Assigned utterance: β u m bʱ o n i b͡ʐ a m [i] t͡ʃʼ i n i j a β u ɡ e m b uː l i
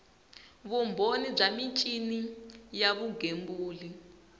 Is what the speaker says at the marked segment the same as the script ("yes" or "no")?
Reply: yes